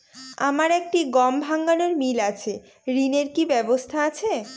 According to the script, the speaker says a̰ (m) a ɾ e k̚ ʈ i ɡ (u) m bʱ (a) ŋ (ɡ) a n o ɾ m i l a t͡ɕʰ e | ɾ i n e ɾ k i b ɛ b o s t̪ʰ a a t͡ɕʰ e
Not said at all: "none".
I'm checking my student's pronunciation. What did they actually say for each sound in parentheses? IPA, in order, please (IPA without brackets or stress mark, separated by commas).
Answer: m, ɔ, a, ɡ